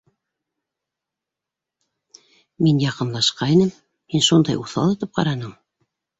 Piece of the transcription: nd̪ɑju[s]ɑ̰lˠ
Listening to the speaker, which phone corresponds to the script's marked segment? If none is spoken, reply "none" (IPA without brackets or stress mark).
θ